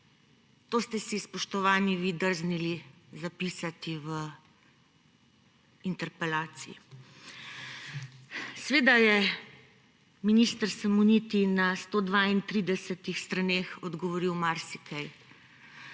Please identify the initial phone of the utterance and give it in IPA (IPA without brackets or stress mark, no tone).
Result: t̪